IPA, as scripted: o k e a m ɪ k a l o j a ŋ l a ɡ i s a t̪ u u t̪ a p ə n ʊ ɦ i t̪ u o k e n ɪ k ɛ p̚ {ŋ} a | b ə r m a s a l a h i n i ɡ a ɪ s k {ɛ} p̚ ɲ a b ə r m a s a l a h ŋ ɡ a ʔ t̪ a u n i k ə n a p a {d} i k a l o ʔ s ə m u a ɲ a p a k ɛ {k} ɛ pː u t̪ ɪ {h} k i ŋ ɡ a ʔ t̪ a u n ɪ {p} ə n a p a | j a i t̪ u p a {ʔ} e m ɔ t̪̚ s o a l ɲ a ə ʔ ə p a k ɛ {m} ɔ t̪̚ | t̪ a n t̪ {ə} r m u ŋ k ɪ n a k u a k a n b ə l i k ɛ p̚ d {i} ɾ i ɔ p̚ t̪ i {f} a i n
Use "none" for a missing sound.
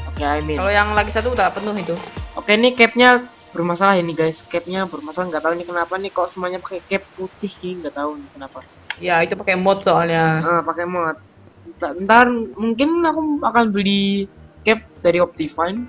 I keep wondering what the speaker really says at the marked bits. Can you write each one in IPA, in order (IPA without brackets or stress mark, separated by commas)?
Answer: ɲ, ɛ, n, k, h, k, k, m, a, a, f